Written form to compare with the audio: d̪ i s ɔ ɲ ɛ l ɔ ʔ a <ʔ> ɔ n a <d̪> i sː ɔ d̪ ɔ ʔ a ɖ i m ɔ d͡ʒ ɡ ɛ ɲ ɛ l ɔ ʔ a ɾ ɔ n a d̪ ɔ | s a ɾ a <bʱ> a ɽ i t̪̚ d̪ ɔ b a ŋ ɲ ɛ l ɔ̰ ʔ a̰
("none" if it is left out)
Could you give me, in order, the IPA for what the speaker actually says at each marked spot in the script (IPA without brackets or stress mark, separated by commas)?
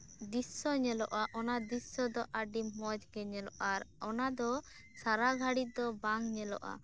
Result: ʔ, d̪, ɡʱ